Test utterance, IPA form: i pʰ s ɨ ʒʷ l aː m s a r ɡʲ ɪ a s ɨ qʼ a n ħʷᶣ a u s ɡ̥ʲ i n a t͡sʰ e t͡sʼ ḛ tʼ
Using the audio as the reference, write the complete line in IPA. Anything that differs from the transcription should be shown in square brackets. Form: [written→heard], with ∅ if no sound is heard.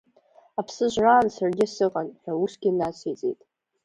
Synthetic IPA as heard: [i→a] pʰ s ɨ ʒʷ [l→r] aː [m→n] s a r ɡʲ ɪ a s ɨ qʼ a n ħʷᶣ a u s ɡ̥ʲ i n a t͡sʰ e t͡sʼ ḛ tʼ